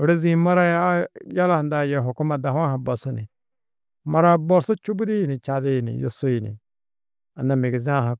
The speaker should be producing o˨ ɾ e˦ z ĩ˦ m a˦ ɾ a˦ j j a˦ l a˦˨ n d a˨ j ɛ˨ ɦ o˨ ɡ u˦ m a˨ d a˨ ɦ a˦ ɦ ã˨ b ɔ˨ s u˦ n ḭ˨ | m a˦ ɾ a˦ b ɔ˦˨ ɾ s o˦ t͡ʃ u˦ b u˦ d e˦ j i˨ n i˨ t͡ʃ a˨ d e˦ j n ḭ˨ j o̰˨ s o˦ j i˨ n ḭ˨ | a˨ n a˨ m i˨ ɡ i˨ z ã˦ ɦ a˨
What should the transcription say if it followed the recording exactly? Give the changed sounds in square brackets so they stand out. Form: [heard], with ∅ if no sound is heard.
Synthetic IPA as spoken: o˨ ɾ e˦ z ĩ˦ m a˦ ɾ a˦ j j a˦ l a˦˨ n d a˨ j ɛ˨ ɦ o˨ [k] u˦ m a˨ d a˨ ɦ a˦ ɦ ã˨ b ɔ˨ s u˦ n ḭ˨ | m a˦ ɾ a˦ b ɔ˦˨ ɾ s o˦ t͡ʃ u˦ b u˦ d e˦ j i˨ n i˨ t͡ʃ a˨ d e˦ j n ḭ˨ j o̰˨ s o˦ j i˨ n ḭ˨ | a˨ n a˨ m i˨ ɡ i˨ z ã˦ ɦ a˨